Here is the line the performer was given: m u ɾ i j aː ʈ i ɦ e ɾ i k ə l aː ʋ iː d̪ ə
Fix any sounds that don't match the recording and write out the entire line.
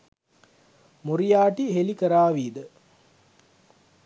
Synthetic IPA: m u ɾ i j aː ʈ i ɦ e l i k ə ɾ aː ʋ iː d̪ ə